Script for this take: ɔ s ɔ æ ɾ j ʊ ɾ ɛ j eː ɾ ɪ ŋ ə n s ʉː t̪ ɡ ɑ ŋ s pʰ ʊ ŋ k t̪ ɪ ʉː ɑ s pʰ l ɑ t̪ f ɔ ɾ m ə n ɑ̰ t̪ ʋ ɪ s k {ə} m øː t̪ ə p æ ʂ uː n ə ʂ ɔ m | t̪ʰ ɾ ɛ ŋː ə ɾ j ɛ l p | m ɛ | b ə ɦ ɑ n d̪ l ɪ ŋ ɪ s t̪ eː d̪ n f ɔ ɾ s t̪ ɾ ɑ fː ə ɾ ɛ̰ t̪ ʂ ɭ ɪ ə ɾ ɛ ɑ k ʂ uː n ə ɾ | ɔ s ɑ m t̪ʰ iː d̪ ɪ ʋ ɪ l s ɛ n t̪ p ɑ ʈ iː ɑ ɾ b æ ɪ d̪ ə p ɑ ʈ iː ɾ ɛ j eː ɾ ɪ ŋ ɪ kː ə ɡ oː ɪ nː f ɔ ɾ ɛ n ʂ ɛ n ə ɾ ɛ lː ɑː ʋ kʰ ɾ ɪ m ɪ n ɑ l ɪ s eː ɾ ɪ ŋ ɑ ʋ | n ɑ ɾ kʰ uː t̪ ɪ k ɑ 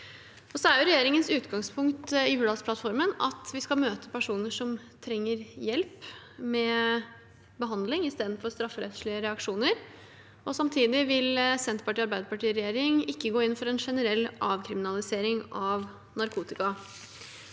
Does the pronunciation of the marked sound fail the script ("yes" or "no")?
yes